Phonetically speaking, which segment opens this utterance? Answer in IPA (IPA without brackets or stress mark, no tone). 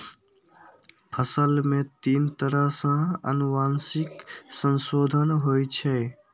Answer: pʰ